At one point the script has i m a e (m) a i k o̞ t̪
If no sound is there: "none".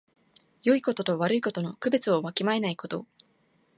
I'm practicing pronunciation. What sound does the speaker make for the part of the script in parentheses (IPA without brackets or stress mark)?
n